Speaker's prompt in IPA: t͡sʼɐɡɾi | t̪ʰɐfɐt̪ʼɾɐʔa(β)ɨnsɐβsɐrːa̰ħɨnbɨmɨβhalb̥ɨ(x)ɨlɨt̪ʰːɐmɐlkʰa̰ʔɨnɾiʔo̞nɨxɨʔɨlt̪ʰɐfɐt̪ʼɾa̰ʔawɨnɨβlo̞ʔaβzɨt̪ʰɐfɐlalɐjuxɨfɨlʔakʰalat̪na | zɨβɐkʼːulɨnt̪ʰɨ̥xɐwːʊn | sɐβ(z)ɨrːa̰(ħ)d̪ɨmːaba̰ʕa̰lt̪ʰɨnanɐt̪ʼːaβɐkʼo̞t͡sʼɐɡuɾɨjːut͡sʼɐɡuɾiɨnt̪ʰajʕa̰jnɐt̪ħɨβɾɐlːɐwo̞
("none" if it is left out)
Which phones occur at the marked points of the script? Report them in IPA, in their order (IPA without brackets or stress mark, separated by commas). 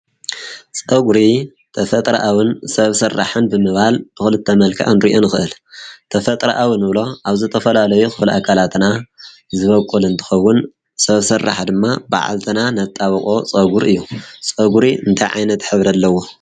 w, x, s, ħ